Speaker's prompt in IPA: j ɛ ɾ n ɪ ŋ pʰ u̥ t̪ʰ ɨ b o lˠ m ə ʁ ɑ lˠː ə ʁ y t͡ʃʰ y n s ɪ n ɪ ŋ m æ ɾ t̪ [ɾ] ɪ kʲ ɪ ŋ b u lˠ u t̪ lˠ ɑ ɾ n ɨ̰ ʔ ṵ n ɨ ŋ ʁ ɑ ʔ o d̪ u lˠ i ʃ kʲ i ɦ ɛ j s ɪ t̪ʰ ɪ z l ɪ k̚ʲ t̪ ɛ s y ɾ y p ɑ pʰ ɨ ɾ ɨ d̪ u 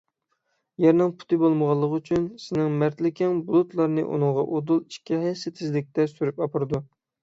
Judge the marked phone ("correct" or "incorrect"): incorrect